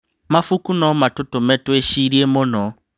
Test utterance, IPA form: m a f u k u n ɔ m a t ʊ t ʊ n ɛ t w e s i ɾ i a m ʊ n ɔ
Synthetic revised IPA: m a f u k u n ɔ m a t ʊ t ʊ m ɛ t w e ʃ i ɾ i e m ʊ n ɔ